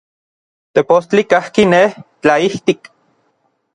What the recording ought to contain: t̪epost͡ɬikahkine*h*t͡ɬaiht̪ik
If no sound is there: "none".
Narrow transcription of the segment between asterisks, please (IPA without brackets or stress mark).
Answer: h